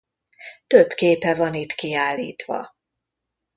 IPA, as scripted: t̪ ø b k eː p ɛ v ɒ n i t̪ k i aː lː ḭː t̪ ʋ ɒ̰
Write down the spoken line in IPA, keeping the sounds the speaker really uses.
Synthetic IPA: t̪ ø b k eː p ɛ v ɒ n i t̪ k i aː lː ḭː t̪ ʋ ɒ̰